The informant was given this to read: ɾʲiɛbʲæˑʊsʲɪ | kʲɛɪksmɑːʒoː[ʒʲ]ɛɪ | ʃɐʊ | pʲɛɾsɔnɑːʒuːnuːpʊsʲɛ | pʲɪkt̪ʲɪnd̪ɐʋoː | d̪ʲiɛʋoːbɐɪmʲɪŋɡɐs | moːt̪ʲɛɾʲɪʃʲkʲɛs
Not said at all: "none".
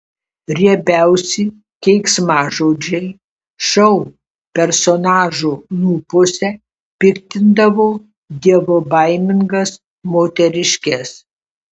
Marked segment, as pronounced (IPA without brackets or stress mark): d͡ʒʲ